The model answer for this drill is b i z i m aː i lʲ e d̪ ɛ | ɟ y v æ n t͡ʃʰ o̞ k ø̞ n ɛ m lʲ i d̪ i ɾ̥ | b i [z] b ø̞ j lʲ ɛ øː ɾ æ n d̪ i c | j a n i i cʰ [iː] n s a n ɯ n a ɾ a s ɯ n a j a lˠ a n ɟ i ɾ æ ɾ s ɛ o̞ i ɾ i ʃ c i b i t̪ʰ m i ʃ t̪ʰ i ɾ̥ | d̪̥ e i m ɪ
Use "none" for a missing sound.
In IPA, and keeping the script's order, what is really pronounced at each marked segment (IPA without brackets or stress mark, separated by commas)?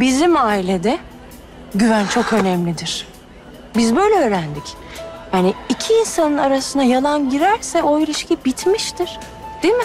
z, iː